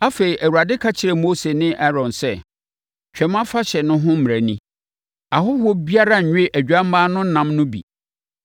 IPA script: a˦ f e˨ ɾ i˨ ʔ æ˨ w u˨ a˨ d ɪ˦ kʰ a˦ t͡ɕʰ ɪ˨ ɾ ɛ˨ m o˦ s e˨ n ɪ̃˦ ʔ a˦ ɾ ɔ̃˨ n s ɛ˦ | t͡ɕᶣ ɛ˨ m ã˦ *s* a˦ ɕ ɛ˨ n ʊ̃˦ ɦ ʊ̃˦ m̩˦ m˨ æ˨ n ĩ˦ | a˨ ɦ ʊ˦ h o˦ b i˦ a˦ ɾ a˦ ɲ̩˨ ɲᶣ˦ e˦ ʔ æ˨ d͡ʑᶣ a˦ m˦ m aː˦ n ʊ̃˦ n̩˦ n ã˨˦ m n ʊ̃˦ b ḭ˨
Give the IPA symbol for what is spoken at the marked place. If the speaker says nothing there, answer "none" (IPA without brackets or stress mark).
f